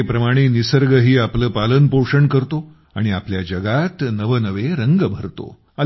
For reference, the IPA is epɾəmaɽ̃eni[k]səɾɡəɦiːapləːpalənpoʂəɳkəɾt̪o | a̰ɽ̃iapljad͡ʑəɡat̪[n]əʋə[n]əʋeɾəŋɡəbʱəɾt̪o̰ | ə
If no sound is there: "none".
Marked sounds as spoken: none, n, n

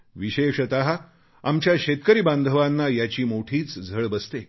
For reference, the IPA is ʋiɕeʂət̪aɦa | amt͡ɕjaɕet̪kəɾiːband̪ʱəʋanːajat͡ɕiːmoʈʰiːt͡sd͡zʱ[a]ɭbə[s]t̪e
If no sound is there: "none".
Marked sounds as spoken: ə, s

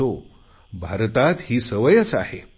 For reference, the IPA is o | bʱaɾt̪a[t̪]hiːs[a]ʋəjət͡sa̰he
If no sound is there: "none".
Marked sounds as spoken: t̪, ə

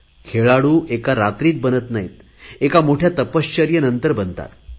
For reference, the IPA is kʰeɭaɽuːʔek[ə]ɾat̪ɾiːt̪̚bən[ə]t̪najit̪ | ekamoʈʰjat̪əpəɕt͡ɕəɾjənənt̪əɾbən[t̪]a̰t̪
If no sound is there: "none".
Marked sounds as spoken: a, ə, t̪

